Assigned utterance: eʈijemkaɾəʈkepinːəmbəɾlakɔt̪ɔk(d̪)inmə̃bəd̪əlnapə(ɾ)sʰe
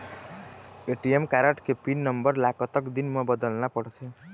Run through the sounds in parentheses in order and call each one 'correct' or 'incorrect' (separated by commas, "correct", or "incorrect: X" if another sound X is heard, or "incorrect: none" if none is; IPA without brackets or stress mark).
correct, incorrect: ɽ